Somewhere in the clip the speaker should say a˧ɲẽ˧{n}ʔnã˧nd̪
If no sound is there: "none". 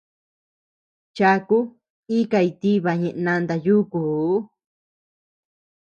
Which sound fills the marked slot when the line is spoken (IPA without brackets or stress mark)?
none